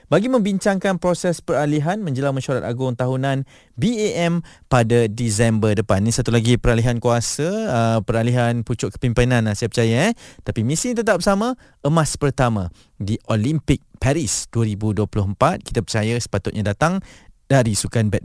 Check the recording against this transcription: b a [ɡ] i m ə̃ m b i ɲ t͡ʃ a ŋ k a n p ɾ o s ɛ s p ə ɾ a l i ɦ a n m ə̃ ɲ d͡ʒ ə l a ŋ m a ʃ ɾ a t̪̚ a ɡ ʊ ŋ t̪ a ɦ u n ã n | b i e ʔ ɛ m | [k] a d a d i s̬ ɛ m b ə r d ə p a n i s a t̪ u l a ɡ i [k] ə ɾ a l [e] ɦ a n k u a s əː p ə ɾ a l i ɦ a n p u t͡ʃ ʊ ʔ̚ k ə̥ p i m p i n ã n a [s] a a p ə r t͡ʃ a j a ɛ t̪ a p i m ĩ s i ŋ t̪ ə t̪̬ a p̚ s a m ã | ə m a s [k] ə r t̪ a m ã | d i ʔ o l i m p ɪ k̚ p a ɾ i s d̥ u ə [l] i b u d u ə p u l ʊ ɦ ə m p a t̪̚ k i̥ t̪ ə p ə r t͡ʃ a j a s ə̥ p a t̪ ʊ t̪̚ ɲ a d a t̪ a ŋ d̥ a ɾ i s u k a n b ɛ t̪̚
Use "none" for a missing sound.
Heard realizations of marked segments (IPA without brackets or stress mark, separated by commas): ɡ, p, p, i, s, p, ɾ